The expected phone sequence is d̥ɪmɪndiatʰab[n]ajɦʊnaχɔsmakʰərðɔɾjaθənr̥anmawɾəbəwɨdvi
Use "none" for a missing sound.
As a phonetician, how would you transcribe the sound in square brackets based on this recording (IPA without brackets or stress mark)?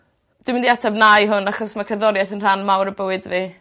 n